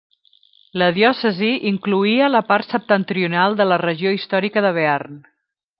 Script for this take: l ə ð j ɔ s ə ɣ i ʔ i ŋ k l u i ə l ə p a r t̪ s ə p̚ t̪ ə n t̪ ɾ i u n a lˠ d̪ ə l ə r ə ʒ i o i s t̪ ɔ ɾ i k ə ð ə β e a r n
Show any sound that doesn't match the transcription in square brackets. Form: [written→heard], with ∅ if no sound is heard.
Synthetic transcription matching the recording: l ə ð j ɔ s ə [ɣ→z] i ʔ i ŋ k l u i ə l ə p a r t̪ s ə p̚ t̪ ə n t̪ ɾ i u n a lˠ d̪ ə l ə r ə ʒ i o i s t̪ ɔ ɾ i k ə ð ə β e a r n